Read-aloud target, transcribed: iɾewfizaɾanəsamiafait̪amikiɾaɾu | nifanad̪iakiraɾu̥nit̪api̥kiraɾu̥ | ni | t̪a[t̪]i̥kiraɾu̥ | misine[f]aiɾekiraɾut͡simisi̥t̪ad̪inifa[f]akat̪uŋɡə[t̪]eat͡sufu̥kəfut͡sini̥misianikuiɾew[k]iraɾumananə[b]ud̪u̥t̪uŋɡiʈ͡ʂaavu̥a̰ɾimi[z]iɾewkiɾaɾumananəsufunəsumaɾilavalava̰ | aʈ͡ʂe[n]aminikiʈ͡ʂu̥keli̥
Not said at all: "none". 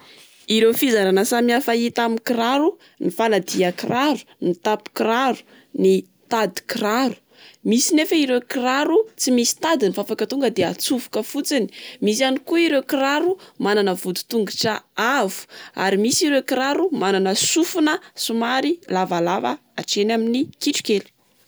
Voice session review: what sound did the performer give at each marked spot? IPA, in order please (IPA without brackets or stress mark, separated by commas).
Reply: d̪, f, f, d̪, k, v, s, n